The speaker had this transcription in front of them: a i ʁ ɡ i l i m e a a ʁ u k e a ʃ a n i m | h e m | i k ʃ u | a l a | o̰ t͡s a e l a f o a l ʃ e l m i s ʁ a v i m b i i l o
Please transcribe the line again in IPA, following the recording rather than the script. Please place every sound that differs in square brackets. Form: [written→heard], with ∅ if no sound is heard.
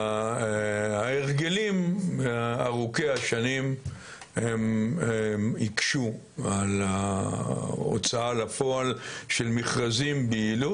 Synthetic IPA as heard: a [i→e] ʁ ɡ [i→e] l i m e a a ʁ u k e a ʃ a n i m | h e m | i k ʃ u | a l a | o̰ t͡s a [e→a] l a f o a l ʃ e l m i [s→χ] ʁ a [v→z] i m b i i l [o→u]